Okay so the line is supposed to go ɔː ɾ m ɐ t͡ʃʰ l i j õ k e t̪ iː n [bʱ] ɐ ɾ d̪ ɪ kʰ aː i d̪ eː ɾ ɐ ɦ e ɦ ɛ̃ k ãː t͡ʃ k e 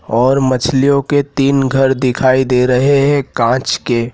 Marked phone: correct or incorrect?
incorrect